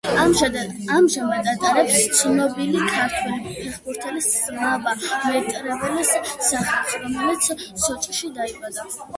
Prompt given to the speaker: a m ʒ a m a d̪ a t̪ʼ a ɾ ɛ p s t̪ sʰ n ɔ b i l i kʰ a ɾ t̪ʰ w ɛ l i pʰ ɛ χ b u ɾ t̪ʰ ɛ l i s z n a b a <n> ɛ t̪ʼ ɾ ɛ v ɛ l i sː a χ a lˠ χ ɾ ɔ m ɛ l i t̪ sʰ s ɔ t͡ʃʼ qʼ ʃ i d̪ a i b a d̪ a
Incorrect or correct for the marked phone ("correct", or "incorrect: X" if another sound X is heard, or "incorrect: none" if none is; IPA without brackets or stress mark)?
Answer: incorrect: m